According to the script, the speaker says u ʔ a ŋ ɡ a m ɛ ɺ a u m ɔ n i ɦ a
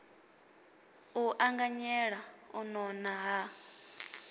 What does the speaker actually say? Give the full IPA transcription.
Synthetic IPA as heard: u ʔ a ŋ ɡ a ɲ ɛ ɺ a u n ɔ n a ɦ a